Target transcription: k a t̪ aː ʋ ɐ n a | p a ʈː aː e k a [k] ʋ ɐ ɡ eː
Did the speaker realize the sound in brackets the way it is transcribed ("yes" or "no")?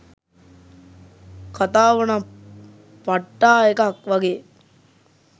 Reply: yes